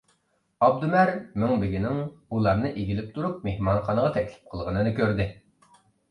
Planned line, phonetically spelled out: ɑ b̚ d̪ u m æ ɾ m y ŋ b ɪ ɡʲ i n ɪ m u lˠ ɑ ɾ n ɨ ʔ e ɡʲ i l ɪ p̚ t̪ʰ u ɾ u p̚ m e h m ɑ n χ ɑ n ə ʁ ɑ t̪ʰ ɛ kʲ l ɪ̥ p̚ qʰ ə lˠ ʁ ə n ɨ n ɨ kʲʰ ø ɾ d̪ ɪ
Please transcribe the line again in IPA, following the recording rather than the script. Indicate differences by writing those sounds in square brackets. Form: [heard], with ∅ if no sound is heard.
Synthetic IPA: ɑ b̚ d̪ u m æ ɾ m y ŋ b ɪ ɡʲ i n ɪ [ŋ] u lˠ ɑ ɾ n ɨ ʔ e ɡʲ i l ɪ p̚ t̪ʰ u ɾ u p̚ m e h m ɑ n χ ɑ n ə ʁ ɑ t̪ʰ ɛ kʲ l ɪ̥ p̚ qʰ ə lˠ ʁ ə n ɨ n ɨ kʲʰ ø ɾ d̪ ɪ

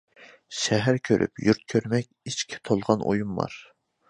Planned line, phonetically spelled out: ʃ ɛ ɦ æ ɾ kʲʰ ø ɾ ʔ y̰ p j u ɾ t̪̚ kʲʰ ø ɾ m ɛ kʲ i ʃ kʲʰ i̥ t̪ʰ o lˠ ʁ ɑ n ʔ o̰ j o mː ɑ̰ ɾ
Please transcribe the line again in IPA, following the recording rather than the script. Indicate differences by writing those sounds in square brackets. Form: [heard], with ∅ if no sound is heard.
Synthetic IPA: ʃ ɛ ɦ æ ɾ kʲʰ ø ɾ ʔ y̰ p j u ɾ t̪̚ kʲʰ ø ɾ m ɛ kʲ i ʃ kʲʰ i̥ t̪ʰ o lˠ ʁ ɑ n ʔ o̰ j [u] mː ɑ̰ ɾ

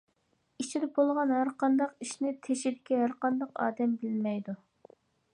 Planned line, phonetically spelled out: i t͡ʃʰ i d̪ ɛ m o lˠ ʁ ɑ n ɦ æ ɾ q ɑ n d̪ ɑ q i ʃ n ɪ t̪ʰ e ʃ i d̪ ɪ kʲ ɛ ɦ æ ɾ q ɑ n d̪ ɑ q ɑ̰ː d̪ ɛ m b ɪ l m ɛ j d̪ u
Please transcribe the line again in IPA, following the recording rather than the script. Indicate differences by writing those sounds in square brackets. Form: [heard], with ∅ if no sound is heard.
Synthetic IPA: i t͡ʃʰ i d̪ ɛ [b] o lˠ ʁ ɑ n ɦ æ ɾ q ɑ n d̪ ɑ q i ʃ n ɪ t̪ʰ e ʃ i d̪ ɪ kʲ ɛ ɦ æ ɾ q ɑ n d̪ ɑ q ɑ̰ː d̪ ɛ m b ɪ l m ɛ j d̪ u

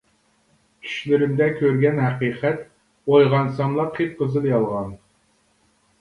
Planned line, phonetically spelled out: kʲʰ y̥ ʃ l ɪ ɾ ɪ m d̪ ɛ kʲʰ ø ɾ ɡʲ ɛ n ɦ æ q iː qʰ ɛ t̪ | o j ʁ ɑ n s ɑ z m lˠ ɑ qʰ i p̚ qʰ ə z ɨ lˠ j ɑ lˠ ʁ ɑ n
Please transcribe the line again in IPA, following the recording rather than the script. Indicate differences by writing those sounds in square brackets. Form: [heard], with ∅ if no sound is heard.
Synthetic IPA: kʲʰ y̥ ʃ l ɪ ɾ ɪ m d̪ ɛ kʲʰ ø ɾ ɡʲ ɛ n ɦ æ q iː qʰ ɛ t̪ | o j ʁ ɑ n s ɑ [∅] m lˠ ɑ qʰ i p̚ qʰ ə z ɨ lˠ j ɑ lˠ ʁ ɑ n

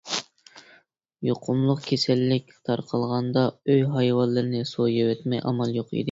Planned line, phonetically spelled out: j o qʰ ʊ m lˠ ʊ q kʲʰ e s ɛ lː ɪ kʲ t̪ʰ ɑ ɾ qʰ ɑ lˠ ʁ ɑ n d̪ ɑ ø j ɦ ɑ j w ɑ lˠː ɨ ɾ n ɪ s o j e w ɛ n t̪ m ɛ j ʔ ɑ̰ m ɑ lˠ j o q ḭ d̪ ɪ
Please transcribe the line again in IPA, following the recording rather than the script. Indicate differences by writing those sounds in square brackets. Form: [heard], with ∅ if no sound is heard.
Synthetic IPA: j o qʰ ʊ m lˠ ʊ q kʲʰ e s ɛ lː ɪ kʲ t̪ʰ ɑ ɾ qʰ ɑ lˠ ʁ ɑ n d̪ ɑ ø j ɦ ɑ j w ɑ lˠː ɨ ɾ n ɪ s o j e w ɛ [∅] t̪ m ɛ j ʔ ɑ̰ m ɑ lˠ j o q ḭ d̪ ɪ

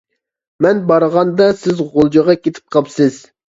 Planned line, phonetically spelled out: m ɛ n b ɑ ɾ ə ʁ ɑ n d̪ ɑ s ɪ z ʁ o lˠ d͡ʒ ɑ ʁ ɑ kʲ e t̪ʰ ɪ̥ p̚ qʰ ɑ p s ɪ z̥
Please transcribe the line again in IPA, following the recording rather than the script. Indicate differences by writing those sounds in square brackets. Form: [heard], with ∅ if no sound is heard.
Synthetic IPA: m ɛ n b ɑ ɾ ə ʁ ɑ n d̪ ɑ s ɪ z ʁ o lˠ d͡ʒ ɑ ʁ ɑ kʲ e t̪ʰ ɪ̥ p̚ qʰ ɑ p s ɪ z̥

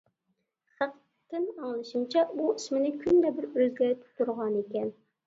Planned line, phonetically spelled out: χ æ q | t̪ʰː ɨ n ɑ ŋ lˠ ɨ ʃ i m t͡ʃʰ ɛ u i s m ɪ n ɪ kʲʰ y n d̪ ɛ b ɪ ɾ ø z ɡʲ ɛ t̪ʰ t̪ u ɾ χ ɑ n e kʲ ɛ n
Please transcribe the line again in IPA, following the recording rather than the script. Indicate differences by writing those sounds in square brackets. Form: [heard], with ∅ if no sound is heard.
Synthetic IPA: χ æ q | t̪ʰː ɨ n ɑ ŋ lˠ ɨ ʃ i m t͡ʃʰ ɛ u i s m ɪ n ɪ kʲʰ y n d̪ ɛ b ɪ ɾ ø z ɡʲ ɛ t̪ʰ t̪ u ɾ [ʁ] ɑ n e kʲ ɛ n

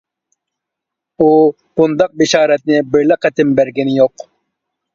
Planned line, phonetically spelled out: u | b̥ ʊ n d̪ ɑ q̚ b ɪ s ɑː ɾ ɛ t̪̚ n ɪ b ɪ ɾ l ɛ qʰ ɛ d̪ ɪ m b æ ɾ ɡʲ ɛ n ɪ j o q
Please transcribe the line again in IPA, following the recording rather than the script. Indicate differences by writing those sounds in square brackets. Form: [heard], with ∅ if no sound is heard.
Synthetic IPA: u | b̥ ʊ n d̪ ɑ q̚ b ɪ [ʃ] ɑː ɾ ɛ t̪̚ n ɪ b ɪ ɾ l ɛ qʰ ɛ [t̪] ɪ m b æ ɾ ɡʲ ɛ n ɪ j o q

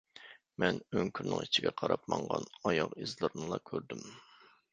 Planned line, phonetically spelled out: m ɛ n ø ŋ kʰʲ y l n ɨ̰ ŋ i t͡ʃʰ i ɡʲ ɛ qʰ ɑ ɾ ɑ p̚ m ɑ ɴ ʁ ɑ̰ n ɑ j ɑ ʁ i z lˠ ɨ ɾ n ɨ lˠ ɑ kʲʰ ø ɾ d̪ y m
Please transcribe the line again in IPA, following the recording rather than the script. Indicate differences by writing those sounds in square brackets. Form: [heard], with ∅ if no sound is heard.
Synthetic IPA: m ɛ n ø ŋ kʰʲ y [ɾ] n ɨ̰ ŋ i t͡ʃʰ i ɡʲ ɛ qʰ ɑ ɾ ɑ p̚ m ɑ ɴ ʁ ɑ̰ n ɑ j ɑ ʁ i z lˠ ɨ ɾ n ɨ lˠ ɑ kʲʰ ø ɾ d̪ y m

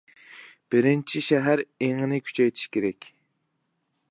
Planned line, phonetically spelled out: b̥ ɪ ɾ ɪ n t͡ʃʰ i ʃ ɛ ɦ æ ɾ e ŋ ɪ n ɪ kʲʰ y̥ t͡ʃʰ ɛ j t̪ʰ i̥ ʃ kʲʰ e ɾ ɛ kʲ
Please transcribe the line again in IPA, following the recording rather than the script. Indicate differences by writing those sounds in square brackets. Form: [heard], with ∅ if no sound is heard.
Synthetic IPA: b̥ ɪ ɾ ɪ n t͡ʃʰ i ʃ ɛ ɦ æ ɾ e ŋ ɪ n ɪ kʲʰ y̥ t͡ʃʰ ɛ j t̪ʰ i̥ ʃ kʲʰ e ɾ ɛ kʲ

